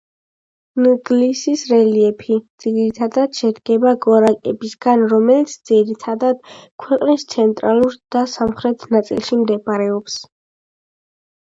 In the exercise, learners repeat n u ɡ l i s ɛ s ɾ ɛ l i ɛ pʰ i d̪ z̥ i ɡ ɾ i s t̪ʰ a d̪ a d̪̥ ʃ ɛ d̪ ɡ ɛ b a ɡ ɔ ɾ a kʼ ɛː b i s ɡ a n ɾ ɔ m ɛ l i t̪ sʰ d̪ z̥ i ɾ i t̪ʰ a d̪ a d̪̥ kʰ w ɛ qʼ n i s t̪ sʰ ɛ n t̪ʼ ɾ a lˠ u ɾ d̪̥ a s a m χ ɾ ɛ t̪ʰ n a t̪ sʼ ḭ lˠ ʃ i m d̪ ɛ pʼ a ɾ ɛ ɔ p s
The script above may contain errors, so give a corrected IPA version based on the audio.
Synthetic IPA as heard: n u ɡ l i s i s ɾ ɛ l i ɛ pʰ i d̪ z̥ i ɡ ɾ i t̪ʰ a d̪ a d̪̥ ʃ ɛ d̪ ɡ ɛ b a ɡ ɔ ɾ a kʼ ɛ b i s ɡ a n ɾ ɔ m ɛ l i t̪ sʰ d̪ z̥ i ɾ i t̪ʰ a d̪ a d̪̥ kʰ w ɛ qʼ n i s t̪ sʰ ɛ n t̪ʼ ɾ a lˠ u ɾ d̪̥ a s a m χ ɾ ɛ t̪ʰ n a t̪ sʼ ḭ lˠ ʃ i m d̪ ɛ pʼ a ɾ ɛ ɔ p s